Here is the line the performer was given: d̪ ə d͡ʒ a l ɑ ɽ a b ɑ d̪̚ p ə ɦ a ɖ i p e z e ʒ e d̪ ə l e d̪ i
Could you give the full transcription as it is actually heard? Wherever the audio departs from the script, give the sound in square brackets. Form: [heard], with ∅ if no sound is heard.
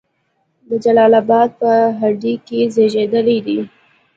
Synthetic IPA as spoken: d̪ ə d͡ʒ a l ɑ [l] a b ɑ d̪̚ p ə ɦ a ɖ i [k] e z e ʒ e d̪ ə l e d̪ i